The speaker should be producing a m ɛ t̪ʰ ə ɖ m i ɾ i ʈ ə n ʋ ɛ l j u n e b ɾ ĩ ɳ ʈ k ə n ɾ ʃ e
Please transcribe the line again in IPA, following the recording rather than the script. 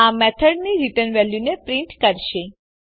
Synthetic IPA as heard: a m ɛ t̪ʰ ə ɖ n i ɾ i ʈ ə n ʋ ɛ l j u n e p ɾ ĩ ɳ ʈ k ə ɾ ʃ e